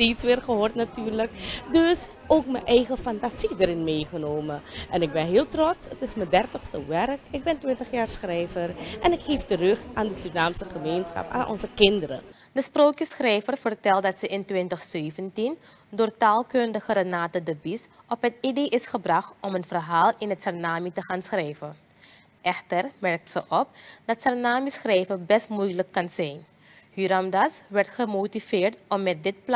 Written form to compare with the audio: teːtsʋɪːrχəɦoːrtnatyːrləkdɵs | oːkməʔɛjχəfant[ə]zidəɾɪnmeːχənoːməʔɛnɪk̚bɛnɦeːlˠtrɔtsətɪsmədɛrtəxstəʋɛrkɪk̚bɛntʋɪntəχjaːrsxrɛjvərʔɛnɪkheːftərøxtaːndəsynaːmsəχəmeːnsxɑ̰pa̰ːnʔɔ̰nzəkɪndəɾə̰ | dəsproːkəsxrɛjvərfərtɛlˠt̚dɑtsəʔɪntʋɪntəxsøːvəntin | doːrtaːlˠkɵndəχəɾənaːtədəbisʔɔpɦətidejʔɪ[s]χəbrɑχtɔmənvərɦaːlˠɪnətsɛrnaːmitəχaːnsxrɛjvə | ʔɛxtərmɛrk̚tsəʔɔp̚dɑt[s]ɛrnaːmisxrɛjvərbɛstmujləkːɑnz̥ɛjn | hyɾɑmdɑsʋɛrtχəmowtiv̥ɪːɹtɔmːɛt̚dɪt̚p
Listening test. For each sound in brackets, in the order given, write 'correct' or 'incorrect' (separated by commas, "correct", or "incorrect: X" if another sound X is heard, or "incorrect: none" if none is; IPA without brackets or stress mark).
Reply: incorrect: a, correct, correct